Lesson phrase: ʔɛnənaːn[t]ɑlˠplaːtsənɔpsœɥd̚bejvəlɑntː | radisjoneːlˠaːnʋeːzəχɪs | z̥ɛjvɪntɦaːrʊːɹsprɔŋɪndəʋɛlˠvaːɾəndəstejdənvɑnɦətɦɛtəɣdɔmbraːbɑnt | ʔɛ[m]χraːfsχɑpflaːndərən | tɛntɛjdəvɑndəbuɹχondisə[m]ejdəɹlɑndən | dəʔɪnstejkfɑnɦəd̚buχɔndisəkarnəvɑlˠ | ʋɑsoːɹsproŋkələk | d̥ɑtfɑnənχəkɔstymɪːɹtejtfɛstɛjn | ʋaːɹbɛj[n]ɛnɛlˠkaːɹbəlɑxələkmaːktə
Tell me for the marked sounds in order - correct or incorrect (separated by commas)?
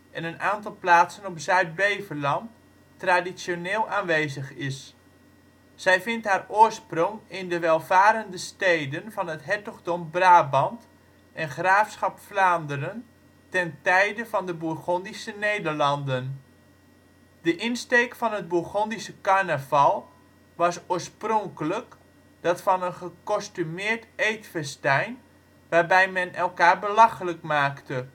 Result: correct, incorrect, incorrect, incorrect